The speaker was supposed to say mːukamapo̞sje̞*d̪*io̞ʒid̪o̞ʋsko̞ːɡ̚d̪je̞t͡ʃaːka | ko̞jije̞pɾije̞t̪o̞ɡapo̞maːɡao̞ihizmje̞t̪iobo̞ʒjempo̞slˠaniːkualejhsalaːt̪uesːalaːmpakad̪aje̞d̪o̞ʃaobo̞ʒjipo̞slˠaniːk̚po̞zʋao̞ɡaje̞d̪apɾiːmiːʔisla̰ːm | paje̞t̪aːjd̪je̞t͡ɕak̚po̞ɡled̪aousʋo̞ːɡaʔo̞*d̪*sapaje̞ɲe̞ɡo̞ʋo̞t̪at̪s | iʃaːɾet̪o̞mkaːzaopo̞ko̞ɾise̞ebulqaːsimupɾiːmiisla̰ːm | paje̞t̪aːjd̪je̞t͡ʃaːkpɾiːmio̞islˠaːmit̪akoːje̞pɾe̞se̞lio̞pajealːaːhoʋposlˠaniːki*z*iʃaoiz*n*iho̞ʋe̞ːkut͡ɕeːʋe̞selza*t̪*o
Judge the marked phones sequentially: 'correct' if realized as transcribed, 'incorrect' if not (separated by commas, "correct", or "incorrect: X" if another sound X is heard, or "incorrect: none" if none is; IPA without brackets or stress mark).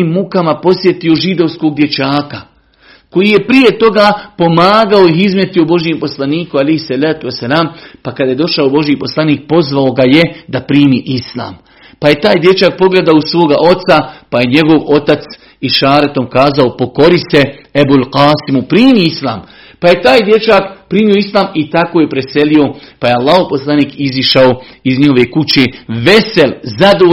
incorrect: t̪, incorrect: t̪, correct, incorrect: ɲ, incorrect: d̪